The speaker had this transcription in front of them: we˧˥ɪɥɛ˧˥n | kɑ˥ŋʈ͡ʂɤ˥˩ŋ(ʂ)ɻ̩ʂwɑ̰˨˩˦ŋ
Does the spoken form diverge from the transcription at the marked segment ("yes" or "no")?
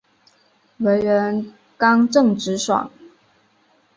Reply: yes